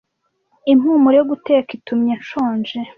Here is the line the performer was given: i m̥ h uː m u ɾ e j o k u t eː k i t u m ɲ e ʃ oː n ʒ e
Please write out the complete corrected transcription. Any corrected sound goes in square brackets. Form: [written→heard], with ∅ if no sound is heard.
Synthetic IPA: i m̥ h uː m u ɾ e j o [k→ɡ] u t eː k i t u m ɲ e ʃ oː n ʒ e